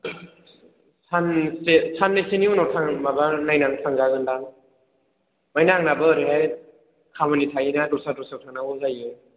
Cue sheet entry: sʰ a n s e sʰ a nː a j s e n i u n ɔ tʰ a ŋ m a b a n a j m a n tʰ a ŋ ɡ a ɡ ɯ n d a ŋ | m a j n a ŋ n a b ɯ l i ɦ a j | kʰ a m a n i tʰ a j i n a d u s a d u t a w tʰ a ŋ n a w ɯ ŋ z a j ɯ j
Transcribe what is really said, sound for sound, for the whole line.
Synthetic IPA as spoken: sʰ a n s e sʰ a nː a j s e n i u n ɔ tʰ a ŋ m a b a n a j n a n tʰ a ŋ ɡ a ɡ ɯ n d a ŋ | m a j n a ŋ n a b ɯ ɾ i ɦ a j | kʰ a m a n i tʰ a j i n a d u s a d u s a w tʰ a ŋ n a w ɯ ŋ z a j ɯ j